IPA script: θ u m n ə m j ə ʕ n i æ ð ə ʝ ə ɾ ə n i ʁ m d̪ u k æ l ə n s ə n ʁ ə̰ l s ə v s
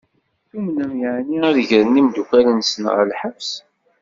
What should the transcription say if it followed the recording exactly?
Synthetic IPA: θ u m n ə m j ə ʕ n i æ ð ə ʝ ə ɾ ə n i m d̪ u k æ l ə n s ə n ʁ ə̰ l ħ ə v s